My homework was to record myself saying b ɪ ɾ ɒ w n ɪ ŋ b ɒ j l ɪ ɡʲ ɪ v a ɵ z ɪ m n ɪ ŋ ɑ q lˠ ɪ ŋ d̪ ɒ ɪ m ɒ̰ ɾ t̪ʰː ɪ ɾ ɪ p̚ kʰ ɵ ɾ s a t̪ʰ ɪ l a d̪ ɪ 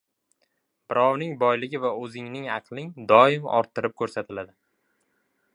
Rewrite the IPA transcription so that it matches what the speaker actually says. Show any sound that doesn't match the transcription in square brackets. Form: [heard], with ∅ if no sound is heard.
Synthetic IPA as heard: b ɪ ɾ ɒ w n ɪ ŋ b ɒ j l ɪ ɡʲ ɪ v a ɵ z ɪ [ŋ] n ɪ ŋ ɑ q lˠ ɪ ŋ d̪ ɒ ɪ m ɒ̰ ɾ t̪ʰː ɪ ɾ ɪ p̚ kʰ ɵ ɾ s a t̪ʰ ɪ l a d̪ ɪ